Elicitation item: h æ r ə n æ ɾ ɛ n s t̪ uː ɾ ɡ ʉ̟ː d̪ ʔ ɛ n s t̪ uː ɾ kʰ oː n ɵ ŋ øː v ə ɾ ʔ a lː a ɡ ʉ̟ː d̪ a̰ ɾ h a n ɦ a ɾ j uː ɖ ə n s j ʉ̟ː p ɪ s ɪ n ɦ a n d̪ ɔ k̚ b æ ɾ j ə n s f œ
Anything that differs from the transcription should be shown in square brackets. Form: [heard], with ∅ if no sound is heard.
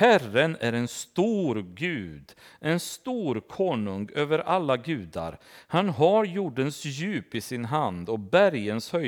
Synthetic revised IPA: h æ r ə n æ ɾ ɛ n s t̪ uː ɾ ɡ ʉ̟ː d̪ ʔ ɛ n s t̪ uː ɾ kʰ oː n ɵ ŋ øː v ə ɾ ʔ a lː a ɡ ʉ̟ː d̪ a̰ ɾ h a n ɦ a ɾ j uː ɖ ə n s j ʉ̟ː p ɪ s ɪ n ɦ a n d̪ ɔ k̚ b æ ɾ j ə n s [h] œ